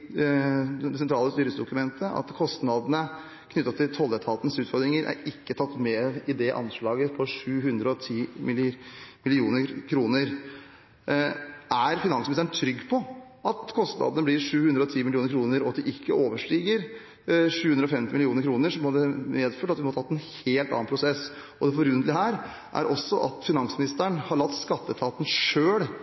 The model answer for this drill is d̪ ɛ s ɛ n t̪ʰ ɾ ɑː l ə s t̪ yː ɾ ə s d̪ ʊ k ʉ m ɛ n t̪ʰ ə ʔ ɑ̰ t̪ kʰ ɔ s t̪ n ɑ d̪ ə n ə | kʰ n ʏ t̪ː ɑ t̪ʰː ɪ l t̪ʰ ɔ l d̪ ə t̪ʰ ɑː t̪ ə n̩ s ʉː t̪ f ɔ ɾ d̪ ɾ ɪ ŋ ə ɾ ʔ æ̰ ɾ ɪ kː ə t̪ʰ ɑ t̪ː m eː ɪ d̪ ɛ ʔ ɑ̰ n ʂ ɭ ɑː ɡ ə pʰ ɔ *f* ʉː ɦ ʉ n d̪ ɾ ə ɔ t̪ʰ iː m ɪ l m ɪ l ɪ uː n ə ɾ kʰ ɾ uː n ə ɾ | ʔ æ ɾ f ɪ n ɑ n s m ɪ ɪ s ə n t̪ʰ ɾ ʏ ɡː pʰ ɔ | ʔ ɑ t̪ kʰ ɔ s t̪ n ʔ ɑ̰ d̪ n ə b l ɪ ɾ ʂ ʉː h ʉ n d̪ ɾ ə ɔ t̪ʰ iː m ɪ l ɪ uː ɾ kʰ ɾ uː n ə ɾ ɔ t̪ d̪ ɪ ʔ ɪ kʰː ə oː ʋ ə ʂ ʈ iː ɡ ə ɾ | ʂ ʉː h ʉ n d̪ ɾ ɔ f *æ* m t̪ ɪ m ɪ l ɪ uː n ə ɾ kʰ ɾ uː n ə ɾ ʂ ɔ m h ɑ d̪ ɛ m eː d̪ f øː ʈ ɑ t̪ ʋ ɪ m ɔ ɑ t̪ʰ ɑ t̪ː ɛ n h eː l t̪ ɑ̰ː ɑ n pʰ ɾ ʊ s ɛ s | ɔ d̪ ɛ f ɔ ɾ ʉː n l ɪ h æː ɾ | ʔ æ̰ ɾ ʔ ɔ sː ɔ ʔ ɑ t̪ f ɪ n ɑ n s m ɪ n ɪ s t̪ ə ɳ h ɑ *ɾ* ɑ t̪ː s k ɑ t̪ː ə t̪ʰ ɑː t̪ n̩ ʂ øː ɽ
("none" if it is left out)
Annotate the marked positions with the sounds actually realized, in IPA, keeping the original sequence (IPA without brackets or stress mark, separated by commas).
ʂ, ɛ, ɭ